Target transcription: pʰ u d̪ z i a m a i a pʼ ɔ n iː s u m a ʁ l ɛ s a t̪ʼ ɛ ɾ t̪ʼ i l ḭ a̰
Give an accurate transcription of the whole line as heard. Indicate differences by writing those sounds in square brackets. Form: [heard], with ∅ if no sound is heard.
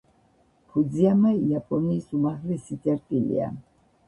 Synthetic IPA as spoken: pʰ u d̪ z i a m a i a pʼ ɔ n iː s u m a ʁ l ɛ s [i] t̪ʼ ɛ ɾ t̪ʼ i l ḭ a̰